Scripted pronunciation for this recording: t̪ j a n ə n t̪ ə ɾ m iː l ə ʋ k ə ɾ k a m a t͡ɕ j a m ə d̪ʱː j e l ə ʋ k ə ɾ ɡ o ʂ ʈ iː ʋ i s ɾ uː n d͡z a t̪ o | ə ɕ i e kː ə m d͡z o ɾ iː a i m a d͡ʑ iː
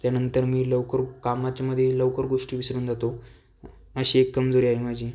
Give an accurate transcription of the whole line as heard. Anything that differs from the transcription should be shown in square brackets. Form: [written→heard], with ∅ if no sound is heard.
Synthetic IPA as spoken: t̪ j a n ə n t̪ ə ɾ m iː l ə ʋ k ə ɾ k a m a t͡ɕ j a m ə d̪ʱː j e l ə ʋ k ə ɾ ɡ o ʂ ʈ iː ʋ i s ɾ uː n d͡z a t̪ o | ə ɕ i e kː ə m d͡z o ɾ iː a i m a d͡ʑ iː